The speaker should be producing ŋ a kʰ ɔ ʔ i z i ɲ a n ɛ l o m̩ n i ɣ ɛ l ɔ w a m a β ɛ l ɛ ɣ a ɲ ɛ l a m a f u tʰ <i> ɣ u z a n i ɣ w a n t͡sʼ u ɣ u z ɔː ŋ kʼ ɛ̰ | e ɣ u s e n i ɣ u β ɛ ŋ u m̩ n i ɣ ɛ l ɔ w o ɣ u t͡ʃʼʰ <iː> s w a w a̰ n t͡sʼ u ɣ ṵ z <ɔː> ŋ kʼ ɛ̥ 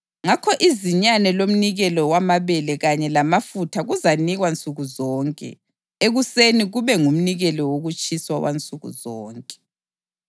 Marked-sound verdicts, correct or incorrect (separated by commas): incorrect, incorrect, correct